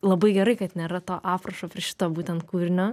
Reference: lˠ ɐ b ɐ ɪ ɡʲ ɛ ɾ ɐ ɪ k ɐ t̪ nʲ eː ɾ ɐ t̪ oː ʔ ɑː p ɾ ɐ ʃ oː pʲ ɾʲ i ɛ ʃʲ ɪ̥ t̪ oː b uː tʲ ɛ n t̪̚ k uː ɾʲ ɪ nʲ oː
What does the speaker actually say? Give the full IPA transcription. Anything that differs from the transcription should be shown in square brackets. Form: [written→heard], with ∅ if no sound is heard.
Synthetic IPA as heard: lˠ ɐ b ɐ ɪ ɡʲ ɛ ɾ ɐ ɪ k ɐ t̪ nʲ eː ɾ ɐ t̪ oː ʔ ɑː p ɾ ɐ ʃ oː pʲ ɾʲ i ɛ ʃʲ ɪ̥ t̪ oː b uː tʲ ɛ n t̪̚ k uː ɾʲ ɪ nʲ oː

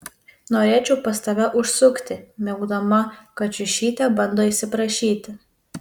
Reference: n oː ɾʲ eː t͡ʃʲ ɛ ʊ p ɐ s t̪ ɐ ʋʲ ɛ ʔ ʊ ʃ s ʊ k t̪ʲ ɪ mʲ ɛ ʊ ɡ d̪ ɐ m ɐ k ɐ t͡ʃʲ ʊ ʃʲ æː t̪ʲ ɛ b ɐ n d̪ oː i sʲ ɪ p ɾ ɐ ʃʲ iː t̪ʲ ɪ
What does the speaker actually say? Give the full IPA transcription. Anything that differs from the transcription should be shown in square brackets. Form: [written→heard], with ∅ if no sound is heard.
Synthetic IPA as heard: n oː ɾʲ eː t͡ʃʲ ɛ ʊ p ɐ s t̪ ɐ ʋʲ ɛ ʔ ʊ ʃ s ʊ k t̪ʲ ɪ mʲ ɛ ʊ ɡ d̪ ɐ m ɐ k ɐ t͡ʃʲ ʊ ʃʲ [æː→iː] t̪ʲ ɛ b ɐ n d̪ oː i sʲ ɪ p ɾ ɐ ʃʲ iː t̪ʲ ɪ

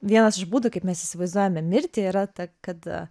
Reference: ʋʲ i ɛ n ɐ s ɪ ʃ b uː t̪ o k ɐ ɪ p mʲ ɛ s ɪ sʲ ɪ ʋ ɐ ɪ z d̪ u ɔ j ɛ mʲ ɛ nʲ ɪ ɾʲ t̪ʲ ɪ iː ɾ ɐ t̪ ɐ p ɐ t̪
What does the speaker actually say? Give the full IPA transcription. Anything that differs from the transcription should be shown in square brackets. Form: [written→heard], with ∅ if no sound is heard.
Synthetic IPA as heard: ʋʲ i ɛ n ɐ s ɪ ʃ b uː [t̪→d̪] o k ɐ ɪ p mʲ ɛ s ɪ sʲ ɪ ʋ ɐ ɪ z d̪ u ɔ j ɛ mʲ ɛ [nʲ→mʲ] ɪ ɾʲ t̪ʲ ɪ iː ɾ ɐ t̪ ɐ [p→k] ɐ t̪

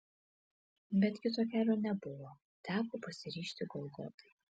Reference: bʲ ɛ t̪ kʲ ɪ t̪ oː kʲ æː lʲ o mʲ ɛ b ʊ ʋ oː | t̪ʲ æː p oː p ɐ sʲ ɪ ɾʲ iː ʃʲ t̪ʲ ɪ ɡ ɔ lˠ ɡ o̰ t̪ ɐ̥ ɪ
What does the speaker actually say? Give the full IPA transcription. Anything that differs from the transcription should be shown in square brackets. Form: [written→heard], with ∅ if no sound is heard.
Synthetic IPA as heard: bʲ ɛ t̪ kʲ ɪ t̪ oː kʲ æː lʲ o [mʲ→nʲ] ɛ b ʊ ʋ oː | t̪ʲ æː p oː p ɐ sʲ ɪ ɾʲ iː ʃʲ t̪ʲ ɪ ɡ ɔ lˠ ɡ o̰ t̪ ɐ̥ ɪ

